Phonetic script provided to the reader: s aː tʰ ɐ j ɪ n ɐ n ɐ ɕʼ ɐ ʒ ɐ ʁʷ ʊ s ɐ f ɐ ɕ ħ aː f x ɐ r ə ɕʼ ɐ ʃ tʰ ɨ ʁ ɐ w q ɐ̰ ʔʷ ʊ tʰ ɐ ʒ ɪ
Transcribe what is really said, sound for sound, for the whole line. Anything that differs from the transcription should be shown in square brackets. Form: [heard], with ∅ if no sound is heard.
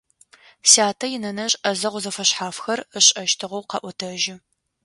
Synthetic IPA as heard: s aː tʰ ɐ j ɪ n ɐ n ɐ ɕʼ ɐ [z] ɐ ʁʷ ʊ [z] ɐ f ɐ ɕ ħ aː f x ɐ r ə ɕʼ ɐ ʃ tʰ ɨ ʁ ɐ w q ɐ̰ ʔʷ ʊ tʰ ɐ ʒ ɪ